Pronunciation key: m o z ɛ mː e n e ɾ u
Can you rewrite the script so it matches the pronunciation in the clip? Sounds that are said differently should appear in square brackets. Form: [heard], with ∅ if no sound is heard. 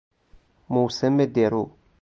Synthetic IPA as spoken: m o [s] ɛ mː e [d] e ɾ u